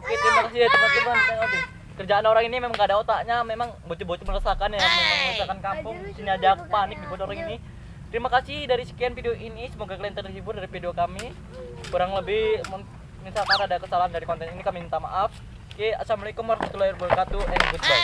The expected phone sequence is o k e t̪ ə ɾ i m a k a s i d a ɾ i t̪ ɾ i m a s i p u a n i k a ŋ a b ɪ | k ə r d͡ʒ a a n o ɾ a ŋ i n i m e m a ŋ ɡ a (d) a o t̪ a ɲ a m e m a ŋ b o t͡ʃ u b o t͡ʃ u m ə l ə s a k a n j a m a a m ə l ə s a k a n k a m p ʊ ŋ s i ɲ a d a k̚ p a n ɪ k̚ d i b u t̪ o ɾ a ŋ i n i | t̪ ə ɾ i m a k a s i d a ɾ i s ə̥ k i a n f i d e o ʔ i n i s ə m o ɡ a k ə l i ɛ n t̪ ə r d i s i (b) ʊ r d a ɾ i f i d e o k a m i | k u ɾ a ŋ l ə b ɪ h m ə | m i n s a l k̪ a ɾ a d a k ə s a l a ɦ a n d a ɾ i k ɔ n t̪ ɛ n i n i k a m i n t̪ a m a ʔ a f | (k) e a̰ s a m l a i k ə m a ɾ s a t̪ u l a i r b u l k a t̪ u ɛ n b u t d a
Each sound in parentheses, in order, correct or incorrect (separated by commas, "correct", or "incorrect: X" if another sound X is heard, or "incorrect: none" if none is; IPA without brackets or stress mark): correct, correct, correct